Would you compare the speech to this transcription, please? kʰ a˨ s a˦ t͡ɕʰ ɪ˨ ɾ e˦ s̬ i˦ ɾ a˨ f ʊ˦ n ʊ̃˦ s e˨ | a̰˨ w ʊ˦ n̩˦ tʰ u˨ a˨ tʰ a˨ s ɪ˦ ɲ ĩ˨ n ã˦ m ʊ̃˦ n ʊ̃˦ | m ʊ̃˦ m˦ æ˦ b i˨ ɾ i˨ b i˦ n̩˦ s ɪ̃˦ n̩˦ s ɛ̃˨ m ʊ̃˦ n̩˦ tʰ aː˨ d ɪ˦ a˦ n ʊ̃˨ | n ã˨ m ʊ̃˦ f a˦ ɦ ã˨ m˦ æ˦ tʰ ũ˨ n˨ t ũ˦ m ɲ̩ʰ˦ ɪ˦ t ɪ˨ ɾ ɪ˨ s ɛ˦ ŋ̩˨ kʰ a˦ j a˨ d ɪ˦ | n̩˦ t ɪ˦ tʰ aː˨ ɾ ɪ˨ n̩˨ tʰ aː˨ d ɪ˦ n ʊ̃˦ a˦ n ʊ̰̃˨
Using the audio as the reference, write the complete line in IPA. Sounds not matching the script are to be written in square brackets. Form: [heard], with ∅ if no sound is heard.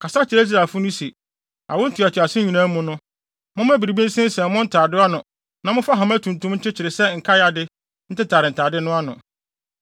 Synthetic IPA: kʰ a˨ s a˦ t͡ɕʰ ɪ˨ ɾ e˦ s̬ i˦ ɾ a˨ f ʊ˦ n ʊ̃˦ s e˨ | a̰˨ w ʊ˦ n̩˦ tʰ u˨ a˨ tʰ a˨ s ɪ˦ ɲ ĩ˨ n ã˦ m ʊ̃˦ n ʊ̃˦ | m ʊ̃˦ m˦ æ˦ b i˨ ɾ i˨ b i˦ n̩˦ s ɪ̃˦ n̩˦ s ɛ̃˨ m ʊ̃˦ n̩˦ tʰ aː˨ d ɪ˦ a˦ n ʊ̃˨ | n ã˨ m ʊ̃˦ f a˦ ɦ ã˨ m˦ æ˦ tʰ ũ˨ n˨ t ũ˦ m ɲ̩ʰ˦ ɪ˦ [t͡ɕʰ] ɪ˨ ɾ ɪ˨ s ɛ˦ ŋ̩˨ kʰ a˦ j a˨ d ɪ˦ | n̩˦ t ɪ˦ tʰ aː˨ ɾ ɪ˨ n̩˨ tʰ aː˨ d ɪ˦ n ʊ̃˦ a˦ n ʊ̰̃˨